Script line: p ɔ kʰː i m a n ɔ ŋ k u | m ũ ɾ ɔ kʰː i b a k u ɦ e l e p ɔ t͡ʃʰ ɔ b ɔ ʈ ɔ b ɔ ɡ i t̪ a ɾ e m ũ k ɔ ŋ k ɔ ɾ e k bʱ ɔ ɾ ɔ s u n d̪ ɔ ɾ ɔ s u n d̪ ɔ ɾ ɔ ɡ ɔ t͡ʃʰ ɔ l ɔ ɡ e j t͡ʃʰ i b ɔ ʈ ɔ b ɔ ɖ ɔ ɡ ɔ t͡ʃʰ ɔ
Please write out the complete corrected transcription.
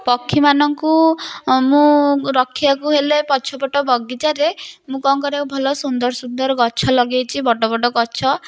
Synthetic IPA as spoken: p ɔ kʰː i m a n ɔ ŋ k u | m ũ ɾ ɔ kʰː i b a k u ɦ e l e p ɔ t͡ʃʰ ɔ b ɔ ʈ ɔ b ɔ ɡ i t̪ a ɾ e m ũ k ɔ ŋ k ɔ ɾ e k bʱ ɔ l ɔ s u n d̪ ɔ ɾ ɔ s u n d̪ ɔ ɾ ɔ ɡ ɔ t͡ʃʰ ɔ l ɔ ɡ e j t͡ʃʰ i b ɔ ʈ ɔ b ɔ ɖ ɔ ɡ ɔ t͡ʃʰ ɔ